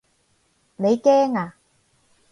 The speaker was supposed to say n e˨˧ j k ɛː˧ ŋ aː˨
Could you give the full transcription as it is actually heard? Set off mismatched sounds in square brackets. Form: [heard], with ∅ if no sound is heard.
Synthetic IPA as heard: n e˨˧ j k [ɛː˥] ŋ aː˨